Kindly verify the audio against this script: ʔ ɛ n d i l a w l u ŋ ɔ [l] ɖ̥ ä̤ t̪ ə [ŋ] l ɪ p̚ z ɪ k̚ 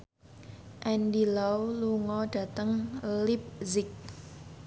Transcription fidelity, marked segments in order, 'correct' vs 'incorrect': incorrect, correct

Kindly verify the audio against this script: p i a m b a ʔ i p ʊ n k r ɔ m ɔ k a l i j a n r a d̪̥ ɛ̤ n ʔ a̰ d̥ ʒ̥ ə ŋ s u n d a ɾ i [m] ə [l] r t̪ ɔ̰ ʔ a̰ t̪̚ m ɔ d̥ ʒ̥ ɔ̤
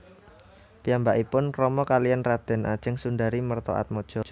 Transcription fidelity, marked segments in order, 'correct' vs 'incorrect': correct, incorrect

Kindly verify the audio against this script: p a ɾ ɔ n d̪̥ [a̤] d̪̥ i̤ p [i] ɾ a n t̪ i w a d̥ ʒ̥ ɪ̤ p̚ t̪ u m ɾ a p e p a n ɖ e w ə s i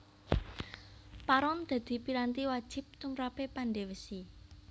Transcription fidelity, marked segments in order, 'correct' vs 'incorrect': correct, correct

